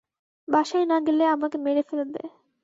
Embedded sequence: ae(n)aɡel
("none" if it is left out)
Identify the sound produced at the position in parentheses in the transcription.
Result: n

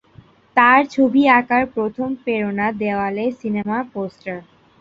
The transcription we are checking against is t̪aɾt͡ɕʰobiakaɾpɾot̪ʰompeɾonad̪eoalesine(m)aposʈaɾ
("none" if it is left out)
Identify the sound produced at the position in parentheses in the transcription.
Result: m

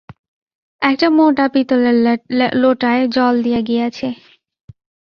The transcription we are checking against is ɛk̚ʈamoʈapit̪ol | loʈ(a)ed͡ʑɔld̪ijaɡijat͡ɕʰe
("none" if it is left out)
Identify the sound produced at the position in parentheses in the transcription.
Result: a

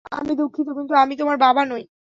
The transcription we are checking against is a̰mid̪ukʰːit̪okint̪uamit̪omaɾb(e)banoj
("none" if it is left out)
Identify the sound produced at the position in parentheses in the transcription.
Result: a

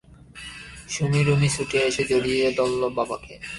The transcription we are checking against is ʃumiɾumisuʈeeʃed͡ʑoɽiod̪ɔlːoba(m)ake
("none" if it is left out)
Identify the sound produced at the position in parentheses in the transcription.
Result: b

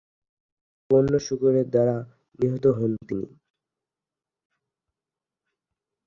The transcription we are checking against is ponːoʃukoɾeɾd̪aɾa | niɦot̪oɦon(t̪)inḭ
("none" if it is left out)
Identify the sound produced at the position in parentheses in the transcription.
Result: t̪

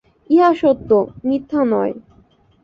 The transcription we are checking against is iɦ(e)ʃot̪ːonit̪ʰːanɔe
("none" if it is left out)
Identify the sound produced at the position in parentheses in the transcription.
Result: a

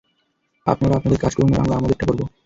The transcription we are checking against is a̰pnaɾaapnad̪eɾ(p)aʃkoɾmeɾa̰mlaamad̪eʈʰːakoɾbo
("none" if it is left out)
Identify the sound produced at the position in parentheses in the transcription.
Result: k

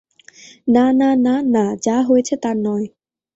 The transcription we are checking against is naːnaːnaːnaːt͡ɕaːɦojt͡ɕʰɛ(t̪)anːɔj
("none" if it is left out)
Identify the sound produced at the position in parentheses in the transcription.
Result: t̪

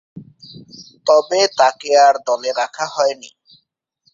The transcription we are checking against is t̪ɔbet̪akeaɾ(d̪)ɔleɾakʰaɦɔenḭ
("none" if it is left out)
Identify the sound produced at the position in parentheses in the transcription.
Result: d̪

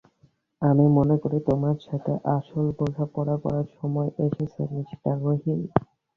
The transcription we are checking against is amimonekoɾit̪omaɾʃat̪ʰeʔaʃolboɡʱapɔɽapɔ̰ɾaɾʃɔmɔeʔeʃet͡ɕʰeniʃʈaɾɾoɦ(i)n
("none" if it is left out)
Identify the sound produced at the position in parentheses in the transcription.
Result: i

